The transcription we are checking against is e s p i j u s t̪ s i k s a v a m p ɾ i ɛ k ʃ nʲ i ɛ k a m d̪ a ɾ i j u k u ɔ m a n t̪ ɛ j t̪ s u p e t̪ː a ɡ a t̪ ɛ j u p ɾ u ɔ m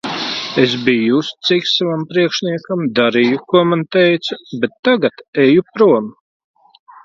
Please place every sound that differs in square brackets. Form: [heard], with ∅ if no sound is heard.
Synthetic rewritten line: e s [b] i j u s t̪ s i k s a v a m p ɾ i ɛ k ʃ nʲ i ɛ k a m d̪ a ɾ i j u k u ɔ m a n t̪ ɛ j t̪ s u [b] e t̪ː a ɡ a t̪ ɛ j u p ɾ u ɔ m